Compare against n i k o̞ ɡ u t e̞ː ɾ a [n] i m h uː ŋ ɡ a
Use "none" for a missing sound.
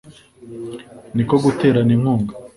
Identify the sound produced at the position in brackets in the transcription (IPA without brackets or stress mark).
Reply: n